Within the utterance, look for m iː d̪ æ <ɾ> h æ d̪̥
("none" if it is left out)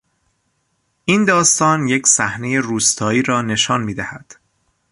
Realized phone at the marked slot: none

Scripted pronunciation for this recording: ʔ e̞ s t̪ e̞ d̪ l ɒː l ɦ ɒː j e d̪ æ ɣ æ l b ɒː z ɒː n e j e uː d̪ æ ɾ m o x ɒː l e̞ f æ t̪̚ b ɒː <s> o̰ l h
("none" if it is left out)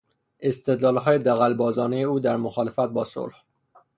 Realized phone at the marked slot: s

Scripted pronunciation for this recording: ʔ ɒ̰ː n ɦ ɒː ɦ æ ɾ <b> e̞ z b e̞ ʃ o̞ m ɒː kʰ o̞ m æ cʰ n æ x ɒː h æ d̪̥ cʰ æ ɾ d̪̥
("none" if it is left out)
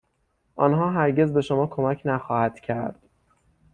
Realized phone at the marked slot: ɟ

